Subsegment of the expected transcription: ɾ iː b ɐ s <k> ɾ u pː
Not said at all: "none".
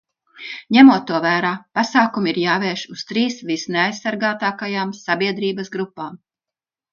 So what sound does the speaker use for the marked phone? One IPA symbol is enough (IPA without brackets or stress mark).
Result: ɡ